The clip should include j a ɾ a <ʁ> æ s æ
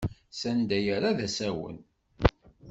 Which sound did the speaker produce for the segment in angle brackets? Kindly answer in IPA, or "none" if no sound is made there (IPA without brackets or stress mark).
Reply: ð